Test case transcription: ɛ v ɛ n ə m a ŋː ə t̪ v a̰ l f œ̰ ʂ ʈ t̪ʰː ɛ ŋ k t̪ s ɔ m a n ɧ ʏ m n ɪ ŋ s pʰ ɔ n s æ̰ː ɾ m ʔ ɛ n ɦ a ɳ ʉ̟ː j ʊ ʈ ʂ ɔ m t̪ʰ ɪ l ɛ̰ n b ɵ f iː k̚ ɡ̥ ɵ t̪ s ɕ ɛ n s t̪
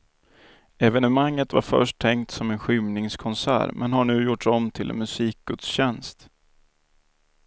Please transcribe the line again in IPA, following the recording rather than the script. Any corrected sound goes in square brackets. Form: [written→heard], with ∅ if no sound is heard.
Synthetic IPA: ɛ v ɛ n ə m a ŋː ə t̪ v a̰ [l→ɾ] f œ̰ ʂ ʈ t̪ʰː ɛ ŋ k t̪ s ɔ m [a→ɛ] n ɧ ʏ m n ɪ ŋ s [pʰ→kʰ] ɔ n s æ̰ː ɾ m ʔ ɛ n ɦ a ɳ ʉ̟ː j ʊ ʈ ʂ ɔ m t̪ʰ ɪ l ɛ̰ n [b→m] ɵ [f→s] iː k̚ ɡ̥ ɵ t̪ s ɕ ɛ n s t̪